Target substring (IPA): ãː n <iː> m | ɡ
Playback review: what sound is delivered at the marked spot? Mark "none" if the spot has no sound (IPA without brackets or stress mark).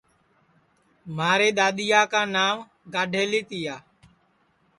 aː